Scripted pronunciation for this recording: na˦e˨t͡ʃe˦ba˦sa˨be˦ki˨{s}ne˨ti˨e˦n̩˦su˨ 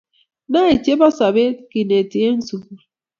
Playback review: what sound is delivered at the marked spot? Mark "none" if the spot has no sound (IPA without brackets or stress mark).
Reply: none